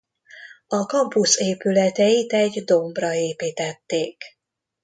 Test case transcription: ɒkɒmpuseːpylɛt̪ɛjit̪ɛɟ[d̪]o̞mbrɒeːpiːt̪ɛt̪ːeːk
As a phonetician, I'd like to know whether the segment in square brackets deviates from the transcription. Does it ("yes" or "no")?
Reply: no